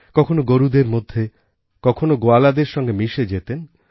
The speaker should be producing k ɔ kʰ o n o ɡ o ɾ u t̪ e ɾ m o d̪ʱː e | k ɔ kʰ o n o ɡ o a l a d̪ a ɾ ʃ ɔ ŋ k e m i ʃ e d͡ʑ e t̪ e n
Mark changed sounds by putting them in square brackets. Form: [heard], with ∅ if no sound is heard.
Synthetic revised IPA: k ɔ kʰ o n o ɡ o ɾ u [d̪] e ɾ m o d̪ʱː e | k ɔ kʰ o n o ɡ o a l a d̪ [e] ɾ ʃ ɔ ŋ [ɡ] e m i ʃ e d͡ʑ e t̪ e n